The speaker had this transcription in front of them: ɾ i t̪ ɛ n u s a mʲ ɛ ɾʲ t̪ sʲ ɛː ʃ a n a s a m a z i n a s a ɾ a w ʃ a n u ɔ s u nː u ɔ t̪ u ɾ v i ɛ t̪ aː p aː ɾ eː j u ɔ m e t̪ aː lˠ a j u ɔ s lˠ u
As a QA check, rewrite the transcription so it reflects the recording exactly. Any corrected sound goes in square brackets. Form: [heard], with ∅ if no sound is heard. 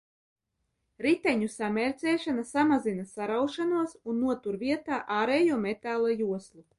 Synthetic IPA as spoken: ɾ i t̪ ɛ [ɲ] u s a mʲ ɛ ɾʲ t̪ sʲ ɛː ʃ a n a s a m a z i n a s a ɾ a w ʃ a n u ɔ s u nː u ɔ t̪ u ɾ v i ɛ t̪ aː [ʔ] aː ɾ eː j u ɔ m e t̪ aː lˠ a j u ɔ s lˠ u